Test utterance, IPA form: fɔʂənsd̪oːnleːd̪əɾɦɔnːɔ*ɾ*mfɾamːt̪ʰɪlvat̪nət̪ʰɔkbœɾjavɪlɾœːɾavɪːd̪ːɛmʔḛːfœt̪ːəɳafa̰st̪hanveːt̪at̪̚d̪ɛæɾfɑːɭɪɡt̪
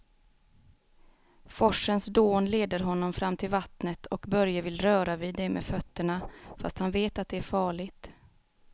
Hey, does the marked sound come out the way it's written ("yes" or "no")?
no